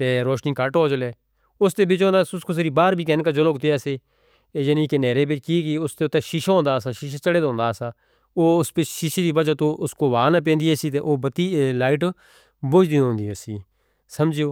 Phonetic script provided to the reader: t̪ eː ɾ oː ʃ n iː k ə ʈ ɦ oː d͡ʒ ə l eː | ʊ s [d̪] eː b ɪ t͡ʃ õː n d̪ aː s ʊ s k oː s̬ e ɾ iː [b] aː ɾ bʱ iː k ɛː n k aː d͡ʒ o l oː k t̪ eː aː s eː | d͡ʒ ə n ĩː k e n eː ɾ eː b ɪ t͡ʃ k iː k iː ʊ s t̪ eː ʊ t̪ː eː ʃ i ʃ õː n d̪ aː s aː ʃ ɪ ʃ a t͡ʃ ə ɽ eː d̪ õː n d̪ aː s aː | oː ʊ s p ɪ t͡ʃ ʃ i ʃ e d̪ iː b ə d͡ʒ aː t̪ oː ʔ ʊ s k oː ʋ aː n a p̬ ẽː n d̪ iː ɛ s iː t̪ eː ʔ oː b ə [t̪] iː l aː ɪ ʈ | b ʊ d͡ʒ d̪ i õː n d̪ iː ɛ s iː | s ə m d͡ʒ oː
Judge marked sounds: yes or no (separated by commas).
no, yes, yes